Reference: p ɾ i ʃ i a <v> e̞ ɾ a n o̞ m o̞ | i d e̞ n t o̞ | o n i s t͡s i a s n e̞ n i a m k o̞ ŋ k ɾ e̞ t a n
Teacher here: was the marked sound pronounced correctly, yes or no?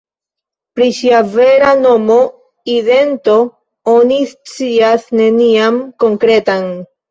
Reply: yes